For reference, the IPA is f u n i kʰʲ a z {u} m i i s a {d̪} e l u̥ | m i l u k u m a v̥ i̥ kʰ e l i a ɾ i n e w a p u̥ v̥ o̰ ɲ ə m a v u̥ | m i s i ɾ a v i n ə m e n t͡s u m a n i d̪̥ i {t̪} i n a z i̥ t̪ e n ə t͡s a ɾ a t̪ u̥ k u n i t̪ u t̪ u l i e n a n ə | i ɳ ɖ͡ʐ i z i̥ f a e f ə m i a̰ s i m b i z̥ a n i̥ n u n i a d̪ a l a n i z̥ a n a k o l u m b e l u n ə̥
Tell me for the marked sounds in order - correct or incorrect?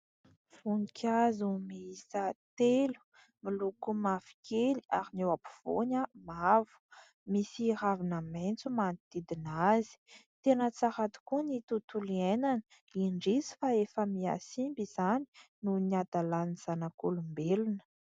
correct, incorrect, incorrect

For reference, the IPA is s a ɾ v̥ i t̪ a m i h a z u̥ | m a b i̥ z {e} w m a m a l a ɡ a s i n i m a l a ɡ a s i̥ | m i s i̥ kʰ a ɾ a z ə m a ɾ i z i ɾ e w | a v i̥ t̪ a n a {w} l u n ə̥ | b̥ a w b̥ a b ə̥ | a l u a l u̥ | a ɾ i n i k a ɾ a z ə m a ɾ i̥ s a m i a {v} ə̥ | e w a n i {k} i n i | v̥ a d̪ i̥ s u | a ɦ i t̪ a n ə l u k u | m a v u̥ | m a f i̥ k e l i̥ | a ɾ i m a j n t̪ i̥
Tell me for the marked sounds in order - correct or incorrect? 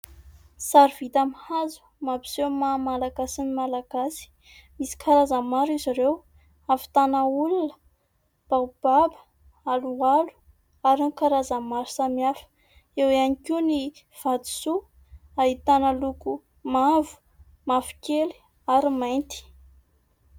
correct, incorrect, incorrect, correct

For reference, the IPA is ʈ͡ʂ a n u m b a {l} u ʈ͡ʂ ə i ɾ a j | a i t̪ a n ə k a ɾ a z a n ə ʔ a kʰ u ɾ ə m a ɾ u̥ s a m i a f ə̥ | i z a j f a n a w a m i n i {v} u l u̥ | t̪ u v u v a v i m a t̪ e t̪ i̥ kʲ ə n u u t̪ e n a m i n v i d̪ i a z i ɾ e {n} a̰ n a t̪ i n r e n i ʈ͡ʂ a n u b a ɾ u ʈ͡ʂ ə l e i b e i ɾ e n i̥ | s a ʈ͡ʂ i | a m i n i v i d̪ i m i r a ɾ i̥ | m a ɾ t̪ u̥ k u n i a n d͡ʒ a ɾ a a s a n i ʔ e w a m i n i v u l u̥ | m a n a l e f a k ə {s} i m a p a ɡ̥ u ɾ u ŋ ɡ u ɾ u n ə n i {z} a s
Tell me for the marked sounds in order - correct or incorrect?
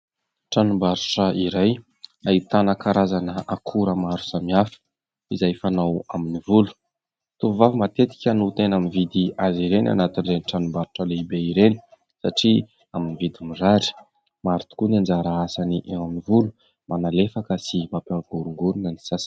incorrect, correct, correct, correct, incorrect

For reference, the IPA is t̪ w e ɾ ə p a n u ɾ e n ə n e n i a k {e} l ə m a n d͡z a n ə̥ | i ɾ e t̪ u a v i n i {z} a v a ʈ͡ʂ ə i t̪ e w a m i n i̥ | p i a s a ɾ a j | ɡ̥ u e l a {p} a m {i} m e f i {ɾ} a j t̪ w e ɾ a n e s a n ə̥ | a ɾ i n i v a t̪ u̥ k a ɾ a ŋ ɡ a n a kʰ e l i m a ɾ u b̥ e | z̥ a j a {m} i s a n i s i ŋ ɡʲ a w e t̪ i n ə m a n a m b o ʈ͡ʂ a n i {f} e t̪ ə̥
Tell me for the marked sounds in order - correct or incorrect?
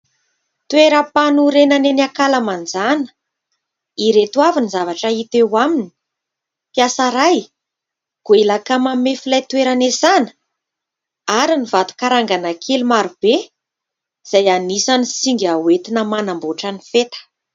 incorrect, correct, incorrect, incorrect, incorrect, incorrect, correct

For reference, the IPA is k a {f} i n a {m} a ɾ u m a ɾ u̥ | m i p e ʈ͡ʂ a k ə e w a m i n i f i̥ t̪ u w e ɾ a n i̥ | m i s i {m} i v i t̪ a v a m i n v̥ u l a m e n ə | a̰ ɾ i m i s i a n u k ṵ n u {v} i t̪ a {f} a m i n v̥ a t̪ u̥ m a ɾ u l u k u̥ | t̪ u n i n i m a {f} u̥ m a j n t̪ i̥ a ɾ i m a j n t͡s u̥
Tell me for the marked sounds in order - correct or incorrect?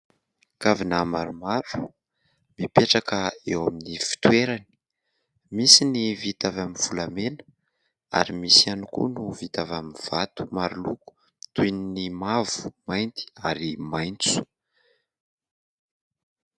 incorrect, correct, incorrect, correct, incorrect, incorrect

